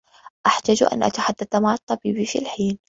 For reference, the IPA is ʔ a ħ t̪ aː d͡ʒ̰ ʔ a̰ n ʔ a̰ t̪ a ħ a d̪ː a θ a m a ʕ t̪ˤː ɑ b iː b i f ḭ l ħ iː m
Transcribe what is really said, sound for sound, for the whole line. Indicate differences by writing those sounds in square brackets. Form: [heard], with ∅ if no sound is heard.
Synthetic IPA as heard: ʔ a ħ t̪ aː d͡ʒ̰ ʔ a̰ n ʔ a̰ t̪ a ħ a d̪ː a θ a m a ʕ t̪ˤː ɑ b iː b i f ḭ l ħ iː [n]

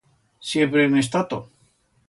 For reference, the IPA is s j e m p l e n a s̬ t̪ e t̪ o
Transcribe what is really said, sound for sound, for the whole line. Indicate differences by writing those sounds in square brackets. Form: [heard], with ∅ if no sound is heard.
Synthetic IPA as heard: s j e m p [ɾ] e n [e] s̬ t̪ [a] t̪ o

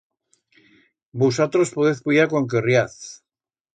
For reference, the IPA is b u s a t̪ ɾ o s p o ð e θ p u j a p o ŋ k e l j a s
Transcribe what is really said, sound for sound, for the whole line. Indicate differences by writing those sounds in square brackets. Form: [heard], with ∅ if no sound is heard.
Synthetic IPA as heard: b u s a t̪ ɾ o s p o ð e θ p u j a [k] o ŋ k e [r] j a [θ]

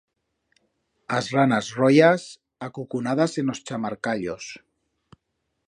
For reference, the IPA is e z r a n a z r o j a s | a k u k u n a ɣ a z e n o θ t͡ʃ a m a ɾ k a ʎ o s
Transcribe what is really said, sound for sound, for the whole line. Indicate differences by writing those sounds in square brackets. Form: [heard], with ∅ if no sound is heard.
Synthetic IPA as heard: [a] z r a n a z r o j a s | a k u k u n a [ð] a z e n o [s] t͡ʃ a m a ɾ k a ʎ o s

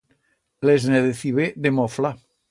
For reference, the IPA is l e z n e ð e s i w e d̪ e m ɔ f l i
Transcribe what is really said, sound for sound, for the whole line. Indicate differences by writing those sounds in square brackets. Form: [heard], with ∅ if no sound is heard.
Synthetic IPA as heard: l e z n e ð e [θ] i [β] e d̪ e m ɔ f l [a]

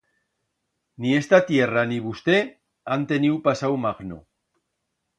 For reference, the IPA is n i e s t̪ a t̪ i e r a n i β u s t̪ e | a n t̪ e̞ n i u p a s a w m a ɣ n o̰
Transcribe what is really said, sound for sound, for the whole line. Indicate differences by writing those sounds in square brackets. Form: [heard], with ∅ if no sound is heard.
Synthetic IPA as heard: n i e s t̪ a t̪ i e r a n i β u s t̪ e | a n t̪ e̞ n i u p a s a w m a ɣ n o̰

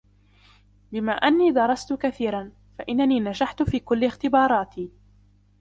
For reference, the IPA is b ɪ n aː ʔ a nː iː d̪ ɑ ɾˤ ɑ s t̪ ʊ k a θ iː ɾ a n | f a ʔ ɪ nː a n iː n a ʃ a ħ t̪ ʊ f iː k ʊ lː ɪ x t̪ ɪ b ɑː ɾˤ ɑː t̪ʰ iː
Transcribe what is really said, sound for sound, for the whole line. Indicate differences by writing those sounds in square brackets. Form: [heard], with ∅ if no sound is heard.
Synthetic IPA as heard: b ɪ [m] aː ʔ a nː iː d̪ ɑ ɾˤ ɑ s t̪ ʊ k a θ iː ɾ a n | f a ʔ ɪ nː a n iː n a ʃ a ħ t̪ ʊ f iː k ʊ lː ɪ x t̪ ɪ b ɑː ɾˤ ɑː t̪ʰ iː

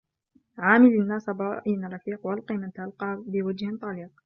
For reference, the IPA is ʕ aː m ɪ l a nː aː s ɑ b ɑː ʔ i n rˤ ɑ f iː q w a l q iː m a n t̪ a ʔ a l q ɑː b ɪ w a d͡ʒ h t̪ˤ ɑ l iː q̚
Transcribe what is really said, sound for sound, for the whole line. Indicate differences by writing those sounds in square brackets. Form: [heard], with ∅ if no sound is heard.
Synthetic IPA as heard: ʕ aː m ɪ l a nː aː s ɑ b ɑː ʔ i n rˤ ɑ f iː q w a l q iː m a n t̪ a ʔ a l q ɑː b ɪ w a d͡ʒ h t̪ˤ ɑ l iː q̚

